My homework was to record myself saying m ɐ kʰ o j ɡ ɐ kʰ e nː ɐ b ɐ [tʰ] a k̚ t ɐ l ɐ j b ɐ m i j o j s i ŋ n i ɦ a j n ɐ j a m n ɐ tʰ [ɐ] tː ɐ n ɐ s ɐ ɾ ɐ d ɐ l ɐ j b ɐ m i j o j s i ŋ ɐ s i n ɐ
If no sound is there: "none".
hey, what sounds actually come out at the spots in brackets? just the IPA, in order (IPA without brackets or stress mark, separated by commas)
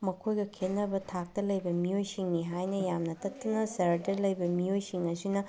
tʰ, ɐ